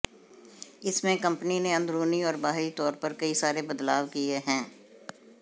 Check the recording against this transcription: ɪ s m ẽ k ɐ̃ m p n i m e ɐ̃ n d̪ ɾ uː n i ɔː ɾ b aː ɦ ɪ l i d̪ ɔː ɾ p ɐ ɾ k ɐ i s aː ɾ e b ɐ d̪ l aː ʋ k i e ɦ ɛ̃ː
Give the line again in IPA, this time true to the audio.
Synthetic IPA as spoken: ɪ s m ẽ k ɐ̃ m p n i n e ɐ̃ n d̪ ɾ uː n i ɔː ɾ b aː ɦ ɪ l i t̪ ɔː ɾ p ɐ ɾ k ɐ i s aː ɾ e b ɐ d̪ l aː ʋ k i e ɦ ɛ̃ː